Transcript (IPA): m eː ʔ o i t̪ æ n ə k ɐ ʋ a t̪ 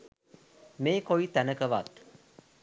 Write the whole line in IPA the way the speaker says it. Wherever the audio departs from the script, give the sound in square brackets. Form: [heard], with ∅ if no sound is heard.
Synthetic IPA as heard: m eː [k] o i t̪ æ n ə k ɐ ʋ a t̪